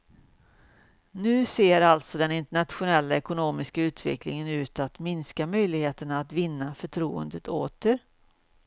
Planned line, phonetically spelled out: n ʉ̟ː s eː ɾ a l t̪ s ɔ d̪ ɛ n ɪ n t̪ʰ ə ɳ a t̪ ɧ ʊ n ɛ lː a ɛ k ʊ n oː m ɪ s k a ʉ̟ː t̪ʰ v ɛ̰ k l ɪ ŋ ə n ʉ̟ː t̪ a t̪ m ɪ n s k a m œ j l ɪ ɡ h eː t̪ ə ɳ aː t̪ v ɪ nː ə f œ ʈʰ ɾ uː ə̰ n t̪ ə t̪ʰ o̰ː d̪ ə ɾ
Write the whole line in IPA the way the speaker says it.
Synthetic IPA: n ʉ̟ː s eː ɾ a l t̪ s ɔ d̪ ɛ n ɪ n t̪ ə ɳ a t̪ ɧ ʊ n ɛ lː a ɛ k ʊ n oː m ɪ s k a ʉ̟ː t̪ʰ v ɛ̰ k l ɪ ŋ ə n ʉ̟ː t̪ a t̪ m ɪ n s k a m œ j l ɪ ɡ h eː t̪ ə ɳ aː t̪ v ɪ nː a f œ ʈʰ ɾ uː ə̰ n d̪ ə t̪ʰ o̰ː t̪ ə ɾ